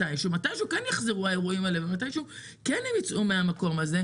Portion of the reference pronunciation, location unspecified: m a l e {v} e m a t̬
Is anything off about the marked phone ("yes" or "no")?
no